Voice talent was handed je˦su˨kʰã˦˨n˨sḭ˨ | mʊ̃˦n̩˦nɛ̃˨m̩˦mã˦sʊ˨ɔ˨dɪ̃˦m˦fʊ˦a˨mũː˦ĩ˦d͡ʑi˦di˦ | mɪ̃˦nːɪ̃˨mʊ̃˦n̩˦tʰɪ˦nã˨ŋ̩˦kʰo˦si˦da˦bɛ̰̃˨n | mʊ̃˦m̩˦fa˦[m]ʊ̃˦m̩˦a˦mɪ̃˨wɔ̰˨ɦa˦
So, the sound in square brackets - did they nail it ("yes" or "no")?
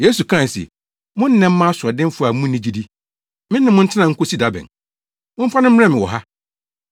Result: no